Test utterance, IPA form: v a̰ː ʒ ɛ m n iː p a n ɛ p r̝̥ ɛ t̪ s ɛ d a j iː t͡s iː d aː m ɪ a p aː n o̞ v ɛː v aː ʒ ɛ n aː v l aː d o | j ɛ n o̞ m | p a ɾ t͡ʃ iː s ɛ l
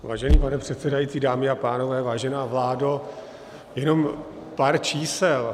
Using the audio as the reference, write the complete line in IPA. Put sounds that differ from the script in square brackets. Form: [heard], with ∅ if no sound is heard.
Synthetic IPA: v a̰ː ʒ ɛ [∅] n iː p a n ɛ p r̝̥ ɛ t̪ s ɛ d a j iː t͡s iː d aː m ɪ a p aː n o̞ v ɛː v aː ʒ ɛ n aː v l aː d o | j ɛ n o̞ m | p a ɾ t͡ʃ iː s ɛ l